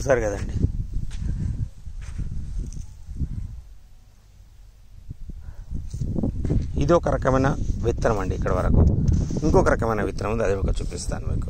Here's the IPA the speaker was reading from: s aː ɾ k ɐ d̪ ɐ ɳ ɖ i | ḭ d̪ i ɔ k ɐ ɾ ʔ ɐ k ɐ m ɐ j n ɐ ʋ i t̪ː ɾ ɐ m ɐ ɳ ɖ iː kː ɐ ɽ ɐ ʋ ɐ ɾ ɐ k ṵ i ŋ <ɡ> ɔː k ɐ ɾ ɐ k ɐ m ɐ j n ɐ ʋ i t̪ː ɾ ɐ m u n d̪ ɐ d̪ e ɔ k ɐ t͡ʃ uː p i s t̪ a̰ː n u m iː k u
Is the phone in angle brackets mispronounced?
yes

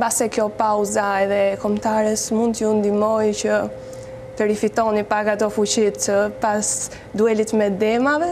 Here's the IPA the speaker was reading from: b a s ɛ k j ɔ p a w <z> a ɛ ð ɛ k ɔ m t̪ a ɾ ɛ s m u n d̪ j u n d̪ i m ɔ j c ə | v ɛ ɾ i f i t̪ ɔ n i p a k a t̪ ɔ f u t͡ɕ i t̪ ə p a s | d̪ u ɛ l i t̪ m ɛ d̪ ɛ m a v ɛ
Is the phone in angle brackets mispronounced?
no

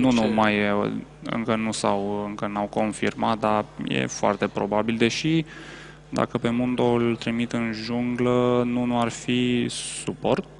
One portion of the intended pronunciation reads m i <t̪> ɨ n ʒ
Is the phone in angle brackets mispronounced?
no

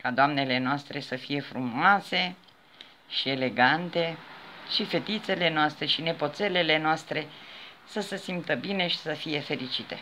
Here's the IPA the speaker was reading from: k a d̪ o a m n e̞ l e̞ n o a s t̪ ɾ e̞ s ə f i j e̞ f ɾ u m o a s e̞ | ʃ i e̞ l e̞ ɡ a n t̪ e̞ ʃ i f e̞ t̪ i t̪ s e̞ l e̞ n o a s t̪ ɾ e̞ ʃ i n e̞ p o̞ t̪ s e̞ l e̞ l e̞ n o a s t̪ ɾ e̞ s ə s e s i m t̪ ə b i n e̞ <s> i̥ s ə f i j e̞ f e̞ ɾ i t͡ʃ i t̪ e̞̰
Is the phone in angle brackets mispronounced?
yes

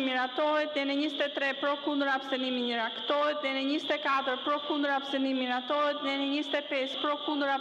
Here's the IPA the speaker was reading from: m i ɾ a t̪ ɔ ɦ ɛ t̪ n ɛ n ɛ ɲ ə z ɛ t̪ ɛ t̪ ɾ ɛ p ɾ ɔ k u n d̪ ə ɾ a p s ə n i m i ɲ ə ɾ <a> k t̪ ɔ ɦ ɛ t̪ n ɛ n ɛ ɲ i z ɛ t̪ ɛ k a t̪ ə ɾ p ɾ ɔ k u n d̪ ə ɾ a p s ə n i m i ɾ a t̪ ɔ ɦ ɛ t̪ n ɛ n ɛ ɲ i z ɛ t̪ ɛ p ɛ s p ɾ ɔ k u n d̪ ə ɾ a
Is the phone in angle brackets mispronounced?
no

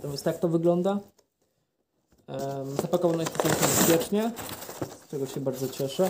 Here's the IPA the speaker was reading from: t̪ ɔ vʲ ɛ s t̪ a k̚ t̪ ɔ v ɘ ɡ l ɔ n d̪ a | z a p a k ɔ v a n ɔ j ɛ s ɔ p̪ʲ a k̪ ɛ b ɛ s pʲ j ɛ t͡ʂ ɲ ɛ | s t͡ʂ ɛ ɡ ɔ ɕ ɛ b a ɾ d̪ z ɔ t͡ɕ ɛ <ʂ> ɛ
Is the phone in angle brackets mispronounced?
no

